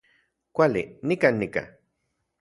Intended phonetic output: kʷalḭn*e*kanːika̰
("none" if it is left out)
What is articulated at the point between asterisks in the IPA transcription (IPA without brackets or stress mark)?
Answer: i